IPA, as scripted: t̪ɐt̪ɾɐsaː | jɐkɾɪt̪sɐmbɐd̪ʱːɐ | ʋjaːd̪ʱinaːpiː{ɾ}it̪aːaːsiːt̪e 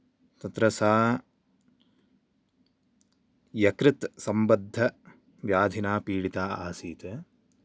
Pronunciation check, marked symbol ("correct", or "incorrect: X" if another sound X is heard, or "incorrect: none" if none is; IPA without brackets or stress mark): incorrect: ɽ